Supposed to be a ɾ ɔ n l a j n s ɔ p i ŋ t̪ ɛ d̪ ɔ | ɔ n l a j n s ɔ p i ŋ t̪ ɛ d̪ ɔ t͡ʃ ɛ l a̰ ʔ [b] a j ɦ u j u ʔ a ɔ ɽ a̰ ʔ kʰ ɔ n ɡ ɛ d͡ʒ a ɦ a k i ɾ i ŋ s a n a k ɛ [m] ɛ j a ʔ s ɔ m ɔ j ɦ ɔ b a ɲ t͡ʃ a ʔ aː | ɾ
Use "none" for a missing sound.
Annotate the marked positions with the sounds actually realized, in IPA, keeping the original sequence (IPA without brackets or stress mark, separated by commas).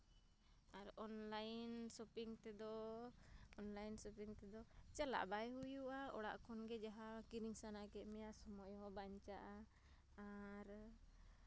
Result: b, m